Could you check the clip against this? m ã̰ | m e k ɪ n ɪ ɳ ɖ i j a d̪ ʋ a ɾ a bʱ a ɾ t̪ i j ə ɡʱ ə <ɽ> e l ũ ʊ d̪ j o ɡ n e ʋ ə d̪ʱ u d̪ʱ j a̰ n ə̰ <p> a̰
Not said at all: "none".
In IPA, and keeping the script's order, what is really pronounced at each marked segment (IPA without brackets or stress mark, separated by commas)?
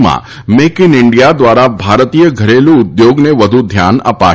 ɾ, p